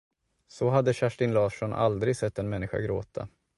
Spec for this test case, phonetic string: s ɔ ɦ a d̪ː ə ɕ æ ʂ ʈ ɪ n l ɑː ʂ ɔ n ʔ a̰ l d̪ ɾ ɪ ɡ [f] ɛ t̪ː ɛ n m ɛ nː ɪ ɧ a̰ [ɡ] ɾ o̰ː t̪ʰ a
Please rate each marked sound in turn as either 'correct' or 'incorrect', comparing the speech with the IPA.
incorrect, correct

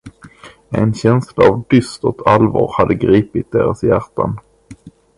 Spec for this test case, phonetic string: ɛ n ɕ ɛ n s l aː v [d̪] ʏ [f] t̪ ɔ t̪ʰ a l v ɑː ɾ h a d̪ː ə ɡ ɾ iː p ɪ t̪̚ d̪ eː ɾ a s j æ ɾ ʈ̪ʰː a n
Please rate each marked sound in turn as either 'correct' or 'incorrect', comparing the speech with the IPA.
correct, incorrect

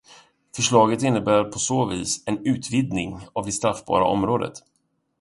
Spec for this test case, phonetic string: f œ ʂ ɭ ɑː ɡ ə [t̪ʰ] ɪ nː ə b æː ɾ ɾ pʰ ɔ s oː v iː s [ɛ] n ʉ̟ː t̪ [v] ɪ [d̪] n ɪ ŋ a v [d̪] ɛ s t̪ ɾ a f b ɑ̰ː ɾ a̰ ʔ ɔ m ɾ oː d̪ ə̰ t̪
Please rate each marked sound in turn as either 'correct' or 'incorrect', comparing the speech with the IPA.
incorrect, correct, correct, correct, correct

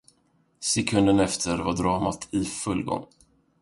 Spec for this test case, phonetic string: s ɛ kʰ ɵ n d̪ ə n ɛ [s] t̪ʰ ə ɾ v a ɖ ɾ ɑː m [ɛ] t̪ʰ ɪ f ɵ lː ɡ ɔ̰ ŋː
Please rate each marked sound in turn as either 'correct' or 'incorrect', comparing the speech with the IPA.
incorrect, incorrect

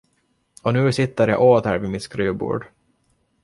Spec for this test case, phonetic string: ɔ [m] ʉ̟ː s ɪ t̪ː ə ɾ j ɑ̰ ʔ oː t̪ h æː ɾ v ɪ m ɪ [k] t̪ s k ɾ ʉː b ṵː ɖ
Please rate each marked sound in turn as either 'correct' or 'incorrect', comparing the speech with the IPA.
incorrect, incorrect

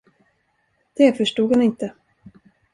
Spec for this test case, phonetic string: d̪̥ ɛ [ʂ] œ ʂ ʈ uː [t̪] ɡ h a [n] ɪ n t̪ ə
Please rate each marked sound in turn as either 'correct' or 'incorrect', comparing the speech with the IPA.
incorrect, incorrect, correct

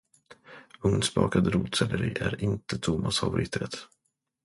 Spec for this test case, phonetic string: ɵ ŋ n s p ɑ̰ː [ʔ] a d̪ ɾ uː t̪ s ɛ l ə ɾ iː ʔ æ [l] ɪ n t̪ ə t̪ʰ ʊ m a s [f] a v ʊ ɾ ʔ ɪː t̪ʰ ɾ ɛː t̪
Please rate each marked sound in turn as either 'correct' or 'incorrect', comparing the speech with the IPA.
incorrect, incorrect, correct

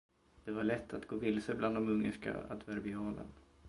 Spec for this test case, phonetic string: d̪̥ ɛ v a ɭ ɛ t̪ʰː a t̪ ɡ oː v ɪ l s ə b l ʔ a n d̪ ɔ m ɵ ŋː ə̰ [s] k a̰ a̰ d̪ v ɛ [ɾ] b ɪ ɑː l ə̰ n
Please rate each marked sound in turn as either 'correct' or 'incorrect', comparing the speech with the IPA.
incorrect, correct

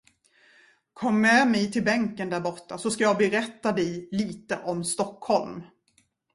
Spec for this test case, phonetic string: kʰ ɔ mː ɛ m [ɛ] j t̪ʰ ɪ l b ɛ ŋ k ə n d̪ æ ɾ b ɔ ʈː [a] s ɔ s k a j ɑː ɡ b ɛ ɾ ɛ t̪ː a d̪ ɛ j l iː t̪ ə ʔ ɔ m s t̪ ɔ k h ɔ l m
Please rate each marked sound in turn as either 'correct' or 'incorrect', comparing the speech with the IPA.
correct, correct

